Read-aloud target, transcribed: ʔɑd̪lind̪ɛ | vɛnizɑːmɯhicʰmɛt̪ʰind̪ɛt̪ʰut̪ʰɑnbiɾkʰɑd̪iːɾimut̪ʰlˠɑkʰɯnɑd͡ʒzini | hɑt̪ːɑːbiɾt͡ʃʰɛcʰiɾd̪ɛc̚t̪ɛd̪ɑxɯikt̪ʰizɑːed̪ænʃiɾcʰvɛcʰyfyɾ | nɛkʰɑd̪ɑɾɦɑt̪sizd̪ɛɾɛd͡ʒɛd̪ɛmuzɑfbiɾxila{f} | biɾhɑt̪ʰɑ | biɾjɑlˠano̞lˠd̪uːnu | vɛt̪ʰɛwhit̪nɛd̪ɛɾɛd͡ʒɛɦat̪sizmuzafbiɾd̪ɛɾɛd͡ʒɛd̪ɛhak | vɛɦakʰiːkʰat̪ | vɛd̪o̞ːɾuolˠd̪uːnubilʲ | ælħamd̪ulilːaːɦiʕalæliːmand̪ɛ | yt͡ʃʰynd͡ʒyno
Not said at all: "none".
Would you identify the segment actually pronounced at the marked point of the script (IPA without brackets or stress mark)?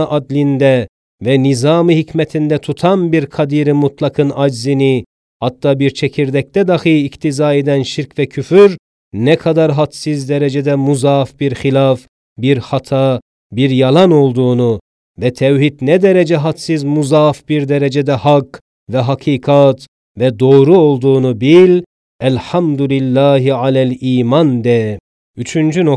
f